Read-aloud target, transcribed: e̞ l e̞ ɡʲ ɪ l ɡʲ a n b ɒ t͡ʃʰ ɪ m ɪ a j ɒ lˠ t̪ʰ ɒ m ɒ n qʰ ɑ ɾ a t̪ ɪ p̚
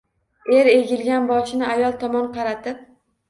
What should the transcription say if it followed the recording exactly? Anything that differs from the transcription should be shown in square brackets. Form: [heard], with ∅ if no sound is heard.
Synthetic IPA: e̞ [ɾ] e̞ ɡʲ ɪ l ɡʲ a n b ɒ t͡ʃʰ ɪ [n] ɪ a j ɒ lˠ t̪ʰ ɒ m ɒ n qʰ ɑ ɾ a t̪ ɪ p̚